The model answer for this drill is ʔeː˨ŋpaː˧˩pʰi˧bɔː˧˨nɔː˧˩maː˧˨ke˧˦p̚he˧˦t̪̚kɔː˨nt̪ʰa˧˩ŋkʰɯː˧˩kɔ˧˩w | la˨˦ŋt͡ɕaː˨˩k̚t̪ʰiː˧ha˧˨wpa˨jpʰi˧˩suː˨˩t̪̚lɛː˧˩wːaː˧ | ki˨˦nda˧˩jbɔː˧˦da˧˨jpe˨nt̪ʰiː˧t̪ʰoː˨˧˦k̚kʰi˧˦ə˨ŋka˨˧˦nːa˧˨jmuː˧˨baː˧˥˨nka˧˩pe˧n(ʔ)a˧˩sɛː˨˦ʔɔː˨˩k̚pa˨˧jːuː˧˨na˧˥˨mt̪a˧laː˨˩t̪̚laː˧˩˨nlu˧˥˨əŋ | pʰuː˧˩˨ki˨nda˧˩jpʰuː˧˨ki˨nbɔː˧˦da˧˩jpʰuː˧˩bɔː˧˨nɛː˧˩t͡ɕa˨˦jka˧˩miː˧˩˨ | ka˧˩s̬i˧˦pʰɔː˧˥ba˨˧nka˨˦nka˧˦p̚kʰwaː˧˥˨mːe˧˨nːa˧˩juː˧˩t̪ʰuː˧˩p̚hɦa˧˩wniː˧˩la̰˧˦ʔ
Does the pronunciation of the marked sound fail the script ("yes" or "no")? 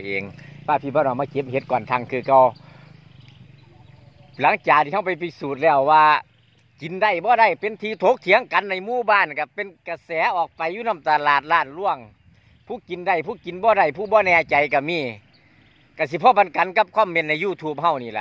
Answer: yes